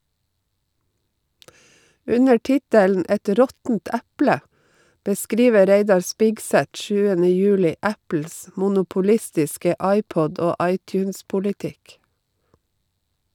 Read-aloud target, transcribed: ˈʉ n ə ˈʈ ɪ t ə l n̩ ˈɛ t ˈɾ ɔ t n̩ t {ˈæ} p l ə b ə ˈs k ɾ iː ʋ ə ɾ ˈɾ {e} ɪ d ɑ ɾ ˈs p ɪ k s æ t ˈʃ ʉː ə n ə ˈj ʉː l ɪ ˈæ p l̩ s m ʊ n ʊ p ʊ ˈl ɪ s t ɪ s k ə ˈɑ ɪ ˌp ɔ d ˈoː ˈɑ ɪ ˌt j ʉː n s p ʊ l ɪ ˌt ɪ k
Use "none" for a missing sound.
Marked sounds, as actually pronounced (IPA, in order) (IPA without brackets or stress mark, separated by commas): æ, e